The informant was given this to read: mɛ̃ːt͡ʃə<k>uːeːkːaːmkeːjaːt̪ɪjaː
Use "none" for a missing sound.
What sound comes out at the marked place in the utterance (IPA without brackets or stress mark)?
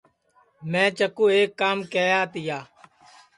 k